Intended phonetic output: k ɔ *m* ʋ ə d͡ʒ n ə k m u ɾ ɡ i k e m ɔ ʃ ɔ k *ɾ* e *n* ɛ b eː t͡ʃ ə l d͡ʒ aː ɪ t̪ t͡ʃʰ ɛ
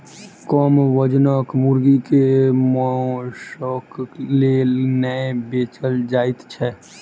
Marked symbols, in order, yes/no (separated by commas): yes, no, yes